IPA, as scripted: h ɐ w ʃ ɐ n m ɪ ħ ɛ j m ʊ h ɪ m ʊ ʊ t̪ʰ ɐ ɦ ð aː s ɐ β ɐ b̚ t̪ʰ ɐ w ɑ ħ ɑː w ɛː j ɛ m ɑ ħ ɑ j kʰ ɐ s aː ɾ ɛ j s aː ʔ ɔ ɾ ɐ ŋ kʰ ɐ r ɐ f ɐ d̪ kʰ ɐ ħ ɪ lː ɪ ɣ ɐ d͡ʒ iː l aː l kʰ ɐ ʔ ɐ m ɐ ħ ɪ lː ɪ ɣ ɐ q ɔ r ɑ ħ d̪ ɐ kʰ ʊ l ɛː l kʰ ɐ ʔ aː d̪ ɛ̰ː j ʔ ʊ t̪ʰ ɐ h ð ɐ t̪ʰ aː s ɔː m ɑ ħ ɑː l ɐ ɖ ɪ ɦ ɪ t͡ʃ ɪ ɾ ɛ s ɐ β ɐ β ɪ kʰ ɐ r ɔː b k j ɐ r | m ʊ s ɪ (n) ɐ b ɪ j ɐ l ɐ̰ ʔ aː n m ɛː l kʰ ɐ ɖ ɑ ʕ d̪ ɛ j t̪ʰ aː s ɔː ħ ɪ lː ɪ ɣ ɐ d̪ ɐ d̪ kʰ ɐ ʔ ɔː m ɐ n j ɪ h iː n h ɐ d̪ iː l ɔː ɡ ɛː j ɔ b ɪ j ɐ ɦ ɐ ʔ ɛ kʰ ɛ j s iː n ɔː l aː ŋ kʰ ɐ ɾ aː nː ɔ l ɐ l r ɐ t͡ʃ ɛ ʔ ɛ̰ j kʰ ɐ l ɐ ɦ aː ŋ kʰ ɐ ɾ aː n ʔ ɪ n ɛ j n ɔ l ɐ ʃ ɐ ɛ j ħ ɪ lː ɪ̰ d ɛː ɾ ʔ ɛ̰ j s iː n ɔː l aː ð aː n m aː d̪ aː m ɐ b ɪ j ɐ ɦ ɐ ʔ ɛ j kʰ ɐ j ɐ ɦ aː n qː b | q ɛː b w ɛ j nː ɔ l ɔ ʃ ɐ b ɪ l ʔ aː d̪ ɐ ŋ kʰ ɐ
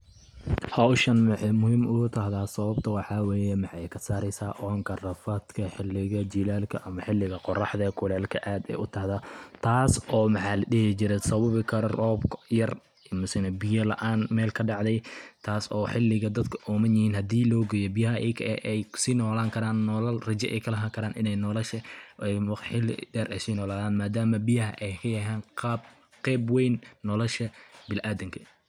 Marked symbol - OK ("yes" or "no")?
yes